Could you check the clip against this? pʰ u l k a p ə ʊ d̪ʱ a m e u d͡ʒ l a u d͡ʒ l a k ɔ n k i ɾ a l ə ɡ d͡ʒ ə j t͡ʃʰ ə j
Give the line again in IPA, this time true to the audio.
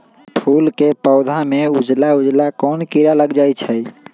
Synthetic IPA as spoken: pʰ u l k e p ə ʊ d̪ʱ a m e u d͡ʒ l a u d͡ʒ l a k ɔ n k i ɾ a l ə ɡ d͡ʒ a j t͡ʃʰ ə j